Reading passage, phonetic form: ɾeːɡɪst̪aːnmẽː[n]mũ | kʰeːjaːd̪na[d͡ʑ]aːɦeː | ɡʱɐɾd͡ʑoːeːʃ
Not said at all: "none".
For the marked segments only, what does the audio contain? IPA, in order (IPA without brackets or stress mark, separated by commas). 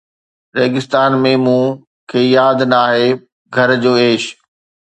none, none